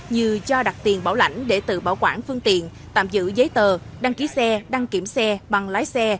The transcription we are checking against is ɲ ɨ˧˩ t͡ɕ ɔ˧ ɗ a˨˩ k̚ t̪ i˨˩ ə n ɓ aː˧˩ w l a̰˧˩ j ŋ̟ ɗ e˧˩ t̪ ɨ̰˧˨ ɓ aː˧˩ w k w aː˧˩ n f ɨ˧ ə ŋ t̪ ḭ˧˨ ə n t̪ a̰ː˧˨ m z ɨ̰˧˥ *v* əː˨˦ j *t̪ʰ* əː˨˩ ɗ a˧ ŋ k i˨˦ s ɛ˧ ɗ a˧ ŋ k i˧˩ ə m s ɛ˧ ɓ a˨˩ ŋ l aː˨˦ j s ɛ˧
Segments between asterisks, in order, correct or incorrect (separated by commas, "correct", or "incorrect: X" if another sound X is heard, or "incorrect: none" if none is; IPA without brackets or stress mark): incorrect: z, incorrect: t̪